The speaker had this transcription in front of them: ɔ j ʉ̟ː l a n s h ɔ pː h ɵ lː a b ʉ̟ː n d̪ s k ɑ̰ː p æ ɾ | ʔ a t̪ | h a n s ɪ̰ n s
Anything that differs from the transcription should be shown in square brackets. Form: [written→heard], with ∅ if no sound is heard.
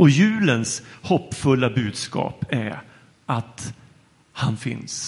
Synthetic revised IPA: ɔ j ʉ̟ː l [a→ə] n s h ɔ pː [h→f] ɵ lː a b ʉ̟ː [n→∅] d̪ s k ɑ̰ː p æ ɾ | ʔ a t̪ | h a n [s→f] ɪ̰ n s